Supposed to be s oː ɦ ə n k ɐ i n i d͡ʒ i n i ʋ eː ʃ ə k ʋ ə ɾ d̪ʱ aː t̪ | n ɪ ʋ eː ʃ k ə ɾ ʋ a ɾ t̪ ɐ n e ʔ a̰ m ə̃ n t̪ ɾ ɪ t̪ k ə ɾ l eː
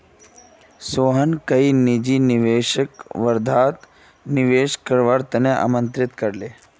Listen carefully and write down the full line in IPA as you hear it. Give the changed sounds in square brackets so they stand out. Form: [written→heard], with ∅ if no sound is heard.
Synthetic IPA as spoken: s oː ɦ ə n k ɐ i n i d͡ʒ i n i ʋ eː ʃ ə k ʋ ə ɾ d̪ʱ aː t̪ | n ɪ ʋ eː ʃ k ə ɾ ʋ a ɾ t̪ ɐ n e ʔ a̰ m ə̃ n t̪ ɾ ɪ t̪ k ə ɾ l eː